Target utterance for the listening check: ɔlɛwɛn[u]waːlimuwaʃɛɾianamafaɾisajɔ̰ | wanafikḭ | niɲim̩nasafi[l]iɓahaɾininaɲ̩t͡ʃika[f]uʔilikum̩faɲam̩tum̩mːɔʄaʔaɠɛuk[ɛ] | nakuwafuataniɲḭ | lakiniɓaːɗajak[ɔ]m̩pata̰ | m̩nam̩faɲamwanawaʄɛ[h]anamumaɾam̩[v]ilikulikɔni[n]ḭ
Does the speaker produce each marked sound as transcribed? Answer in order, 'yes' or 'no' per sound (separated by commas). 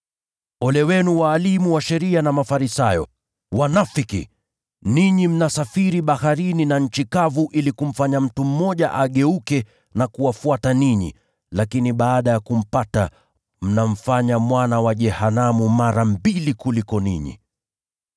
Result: yes, no, no, yes, no, yes, no, no